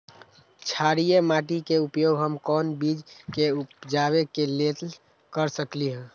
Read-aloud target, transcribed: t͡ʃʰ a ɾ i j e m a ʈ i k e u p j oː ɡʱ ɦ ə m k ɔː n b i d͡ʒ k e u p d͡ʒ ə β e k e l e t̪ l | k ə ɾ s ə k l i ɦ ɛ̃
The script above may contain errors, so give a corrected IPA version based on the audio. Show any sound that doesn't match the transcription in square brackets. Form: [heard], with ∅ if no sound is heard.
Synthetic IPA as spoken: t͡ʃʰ a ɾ i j e m a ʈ i k e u p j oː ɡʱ ɦ ə m k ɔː n b i d͡ʒ k e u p d͡ʒ [a] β e k e l e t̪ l | k ə ɾ s ə k l i ɦ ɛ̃